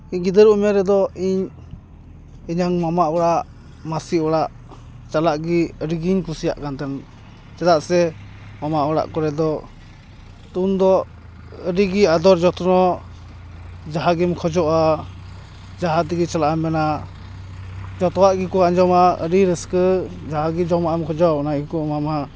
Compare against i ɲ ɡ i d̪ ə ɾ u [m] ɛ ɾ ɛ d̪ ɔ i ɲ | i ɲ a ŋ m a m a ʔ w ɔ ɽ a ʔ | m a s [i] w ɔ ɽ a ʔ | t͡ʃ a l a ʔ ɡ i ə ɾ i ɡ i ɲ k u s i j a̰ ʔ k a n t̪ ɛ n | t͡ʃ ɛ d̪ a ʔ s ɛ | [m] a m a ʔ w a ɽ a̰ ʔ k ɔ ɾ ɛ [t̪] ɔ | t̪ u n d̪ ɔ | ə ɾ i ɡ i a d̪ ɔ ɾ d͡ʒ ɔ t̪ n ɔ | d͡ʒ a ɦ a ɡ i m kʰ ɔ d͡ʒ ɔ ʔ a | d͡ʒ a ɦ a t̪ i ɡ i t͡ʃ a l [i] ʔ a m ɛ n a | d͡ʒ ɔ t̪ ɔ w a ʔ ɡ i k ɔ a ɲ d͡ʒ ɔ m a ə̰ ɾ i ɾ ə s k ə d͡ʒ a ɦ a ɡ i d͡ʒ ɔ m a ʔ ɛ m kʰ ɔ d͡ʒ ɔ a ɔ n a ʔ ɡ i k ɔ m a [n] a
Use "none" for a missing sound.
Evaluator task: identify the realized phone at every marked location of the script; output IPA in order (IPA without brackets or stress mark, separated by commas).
m, i, m, d̪, a, m